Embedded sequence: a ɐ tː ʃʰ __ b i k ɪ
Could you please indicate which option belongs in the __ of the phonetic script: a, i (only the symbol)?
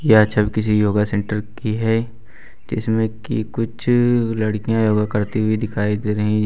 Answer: a